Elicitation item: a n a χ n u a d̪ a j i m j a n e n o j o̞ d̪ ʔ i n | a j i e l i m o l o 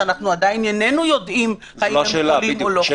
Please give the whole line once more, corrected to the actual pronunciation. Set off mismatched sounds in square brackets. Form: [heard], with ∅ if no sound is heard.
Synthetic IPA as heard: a n a χ n u a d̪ a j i [n] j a n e n [u] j o̞ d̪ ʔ i [m] | a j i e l i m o l o